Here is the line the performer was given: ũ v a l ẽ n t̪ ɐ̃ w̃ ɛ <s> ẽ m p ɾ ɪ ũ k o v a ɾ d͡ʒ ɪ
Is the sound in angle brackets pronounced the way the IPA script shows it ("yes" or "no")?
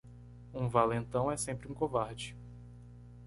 yes